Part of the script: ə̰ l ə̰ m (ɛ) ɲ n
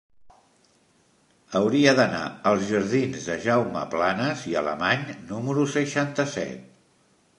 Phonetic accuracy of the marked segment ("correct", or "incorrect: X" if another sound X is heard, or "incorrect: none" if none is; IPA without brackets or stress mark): incorrect: a